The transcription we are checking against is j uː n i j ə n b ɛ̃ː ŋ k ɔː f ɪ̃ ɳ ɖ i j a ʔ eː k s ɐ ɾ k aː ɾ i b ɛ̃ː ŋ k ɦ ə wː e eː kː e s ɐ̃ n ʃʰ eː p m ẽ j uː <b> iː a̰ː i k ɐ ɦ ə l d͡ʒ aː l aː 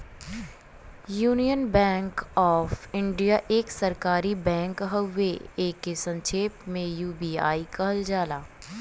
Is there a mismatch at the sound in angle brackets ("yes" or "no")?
no